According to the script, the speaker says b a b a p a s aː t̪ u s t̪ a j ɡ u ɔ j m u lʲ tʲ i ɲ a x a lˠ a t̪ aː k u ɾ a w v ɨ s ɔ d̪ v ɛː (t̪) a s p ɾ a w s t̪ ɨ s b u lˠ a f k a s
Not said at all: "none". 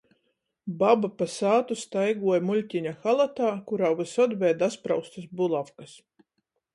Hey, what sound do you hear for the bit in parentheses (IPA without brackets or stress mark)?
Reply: d̪